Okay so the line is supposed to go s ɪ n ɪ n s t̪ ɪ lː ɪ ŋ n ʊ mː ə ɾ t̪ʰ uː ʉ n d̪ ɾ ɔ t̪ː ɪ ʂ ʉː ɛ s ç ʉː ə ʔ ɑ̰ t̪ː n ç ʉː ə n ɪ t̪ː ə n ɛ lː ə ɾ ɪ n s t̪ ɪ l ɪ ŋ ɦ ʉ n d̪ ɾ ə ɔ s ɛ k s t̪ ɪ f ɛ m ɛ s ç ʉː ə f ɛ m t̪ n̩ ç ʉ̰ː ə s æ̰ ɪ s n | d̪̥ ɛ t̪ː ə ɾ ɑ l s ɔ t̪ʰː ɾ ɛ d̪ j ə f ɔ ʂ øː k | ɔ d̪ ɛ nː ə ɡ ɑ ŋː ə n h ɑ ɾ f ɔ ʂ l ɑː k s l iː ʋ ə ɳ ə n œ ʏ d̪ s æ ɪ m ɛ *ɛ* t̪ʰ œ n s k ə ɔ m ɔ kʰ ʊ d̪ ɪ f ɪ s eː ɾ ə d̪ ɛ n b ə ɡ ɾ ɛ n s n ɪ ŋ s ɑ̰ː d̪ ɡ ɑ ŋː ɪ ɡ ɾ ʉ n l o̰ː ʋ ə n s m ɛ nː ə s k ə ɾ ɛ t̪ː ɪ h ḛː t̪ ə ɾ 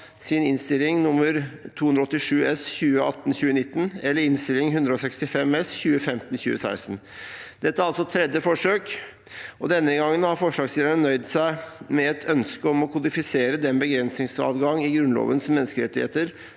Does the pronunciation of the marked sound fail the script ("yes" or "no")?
no